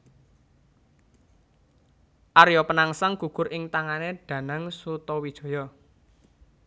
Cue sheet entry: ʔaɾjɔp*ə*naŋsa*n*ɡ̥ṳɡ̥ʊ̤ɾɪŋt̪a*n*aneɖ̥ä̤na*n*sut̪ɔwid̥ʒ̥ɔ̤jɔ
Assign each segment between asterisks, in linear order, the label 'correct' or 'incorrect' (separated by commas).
correct, incorrect, incorrect, incorrect